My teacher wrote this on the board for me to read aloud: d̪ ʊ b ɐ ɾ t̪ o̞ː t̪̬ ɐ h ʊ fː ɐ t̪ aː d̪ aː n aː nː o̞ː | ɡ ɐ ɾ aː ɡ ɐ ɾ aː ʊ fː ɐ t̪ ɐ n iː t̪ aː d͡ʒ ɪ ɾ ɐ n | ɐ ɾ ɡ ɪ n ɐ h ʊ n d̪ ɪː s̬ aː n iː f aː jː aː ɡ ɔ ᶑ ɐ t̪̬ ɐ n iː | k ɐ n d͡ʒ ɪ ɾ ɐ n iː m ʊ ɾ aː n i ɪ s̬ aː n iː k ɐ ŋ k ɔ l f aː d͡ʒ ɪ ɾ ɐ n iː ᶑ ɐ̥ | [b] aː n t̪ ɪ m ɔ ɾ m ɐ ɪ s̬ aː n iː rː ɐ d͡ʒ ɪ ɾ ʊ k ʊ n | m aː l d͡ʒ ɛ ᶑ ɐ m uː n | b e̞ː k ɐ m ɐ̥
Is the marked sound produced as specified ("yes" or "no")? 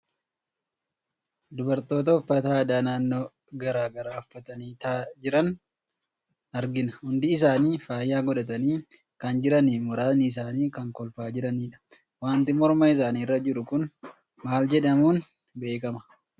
no